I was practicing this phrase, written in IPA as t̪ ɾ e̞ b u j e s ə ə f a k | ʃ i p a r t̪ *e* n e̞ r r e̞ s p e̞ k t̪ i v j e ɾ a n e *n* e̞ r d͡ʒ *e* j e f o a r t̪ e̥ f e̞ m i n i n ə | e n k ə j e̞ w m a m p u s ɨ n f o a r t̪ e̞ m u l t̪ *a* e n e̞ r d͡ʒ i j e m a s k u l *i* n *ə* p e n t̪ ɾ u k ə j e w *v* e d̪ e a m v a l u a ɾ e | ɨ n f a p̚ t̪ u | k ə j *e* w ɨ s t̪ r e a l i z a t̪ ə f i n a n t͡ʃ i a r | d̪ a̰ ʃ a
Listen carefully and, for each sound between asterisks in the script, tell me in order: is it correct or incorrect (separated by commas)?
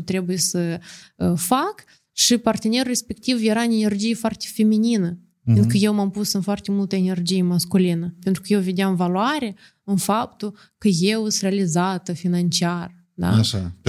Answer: correct, correct, incorrect, incorrect, correct, correct, correct, correct